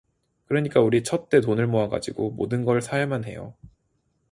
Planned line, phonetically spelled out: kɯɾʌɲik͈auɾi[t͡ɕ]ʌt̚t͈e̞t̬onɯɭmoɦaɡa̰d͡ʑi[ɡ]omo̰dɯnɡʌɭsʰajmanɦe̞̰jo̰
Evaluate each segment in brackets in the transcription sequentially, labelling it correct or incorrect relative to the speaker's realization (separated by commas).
incorrect, correct